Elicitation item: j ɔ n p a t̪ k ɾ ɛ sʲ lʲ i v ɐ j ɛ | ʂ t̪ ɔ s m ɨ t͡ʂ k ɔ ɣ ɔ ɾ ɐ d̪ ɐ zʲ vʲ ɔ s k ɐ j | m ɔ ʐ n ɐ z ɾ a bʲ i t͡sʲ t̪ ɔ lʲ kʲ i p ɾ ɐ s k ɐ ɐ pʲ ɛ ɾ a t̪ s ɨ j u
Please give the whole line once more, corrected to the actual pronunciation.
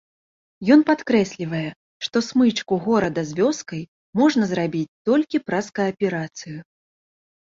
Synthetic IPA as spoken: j ɔ n p a t̪ k ɾ ɛ sʲ lʲ i v ɐ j ɛ | ʂ t̪ ɔ s m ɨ t͡ʂ k u ɣ ɔ ɾ ɐ d̪ ɐ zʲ vʲ ɔ s k ɐ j | m ɔ ʐ n ɐ z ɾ a bʲ i t͡sʲ t̪ ɔ lʲ kʲ i p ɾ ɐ s k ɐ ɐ pʲ ɛ ɾ a t̪ s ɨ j u